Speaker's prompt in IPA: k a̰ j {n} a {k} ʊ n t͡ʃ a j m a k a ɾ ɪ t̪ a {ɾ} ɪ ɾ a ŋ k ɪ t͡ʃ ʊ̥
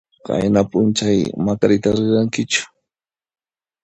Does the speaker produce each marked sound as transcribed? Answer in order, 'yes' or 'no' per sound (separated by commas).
yes, no, yes